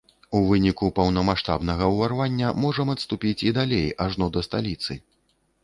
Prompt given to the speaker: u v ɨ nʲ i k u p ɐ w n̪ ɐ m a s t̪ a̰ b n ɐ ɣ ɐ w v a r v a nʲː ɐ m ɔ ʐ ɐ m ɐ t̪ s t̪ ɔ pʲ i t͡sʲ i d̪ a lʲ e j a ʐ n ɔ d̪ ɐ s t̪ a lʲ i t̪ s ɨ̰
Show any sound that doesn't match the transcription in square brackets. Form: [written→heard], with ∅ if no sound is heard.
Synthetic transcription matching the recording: u v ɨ nʲ i k u p ɐ w n̪ ɐ m a [s→ʂ] t̪ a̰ b n ɐ ɣ ɐ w v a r v a nʲː ɐ m ɔ ʐ ɐ m ɐ t̪ s t̪ [ɔ→u] pʲ i t͡sʲ i d̪ a lʲ e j a ʐ n ɔ d̪ ɐ s t̪ a lʲ i t̪ s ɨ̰